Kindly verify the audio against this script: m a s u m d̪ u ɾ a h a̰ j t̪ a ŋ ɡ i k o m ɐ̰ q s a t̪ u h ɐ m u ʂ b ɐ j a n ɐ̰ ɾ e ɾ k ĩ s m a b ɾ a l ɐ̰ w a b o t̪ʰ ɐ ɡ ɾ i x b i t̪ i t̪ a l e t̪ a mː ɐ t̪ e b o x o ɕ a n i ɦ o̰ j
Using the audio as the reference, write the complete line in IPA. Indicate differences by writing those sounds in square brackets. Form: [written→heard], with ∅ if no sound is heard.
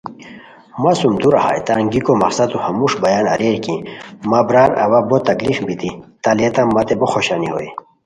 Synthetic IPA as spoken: m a s u m d̪ u ɾ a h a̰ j t̪ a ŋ ɡ i k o m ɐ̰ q s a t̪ u h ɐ m u ʂ b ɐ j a n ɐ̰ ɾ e ɾ k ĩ [s→∅] m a b ɾ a [l→ɾ] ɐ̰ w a b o [t̪ʰ→t̪] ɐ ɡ [ɾ→l] i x b i t̪ i t̪ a l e t̪ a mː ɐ t̪ e b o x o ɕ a n i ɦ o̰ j